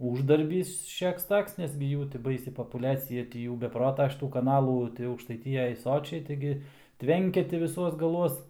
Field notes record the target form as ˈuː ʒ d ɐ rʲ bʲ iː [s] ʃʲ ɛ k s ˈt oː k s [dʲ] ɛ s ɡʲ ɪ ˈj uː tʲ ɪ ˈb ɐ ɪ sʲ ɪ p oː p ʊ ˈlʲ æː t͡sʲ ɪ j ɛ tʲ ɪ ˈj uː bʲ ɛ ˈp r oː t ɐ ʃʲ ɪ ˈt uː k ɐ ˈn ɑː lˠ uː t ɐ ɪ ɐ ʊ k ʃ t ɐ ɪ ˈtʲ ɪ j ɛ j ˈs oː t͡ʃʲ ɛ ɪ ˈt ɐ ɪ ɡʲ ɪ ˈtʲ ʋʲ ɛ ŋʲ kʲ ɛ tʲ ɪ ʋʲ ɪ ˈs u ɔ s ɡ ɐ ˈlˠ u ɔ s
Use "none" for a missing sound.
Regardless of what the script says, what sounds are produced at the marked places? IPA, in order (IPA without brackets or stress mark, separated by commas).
s, nʲ